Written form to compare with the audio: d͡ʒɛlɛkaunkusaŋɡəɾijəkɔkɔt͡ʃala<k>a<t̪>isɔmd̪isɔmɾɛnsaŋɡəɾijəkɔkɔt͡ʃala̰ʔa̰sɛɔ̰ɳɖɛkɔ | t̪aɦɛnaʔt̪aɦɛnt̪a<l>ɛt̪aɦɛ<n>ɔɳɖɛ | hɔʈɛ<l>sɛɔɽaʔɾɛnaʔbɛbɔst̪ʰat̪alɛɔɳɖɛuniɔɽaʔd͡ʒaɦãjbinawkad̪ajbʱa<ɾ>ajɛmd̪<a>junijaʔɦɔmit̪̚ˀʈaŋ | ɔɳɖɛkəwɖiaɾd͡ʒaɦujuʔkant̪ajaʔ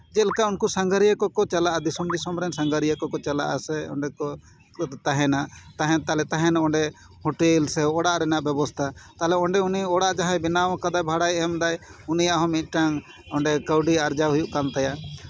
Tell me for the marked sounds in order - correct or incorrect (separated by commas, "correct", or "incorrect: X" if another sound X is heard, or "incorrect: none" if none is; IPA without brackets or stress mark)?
incorrect: ʔ, incorrect: d̪, correct, correct, correct, incorrect: ɽ, correct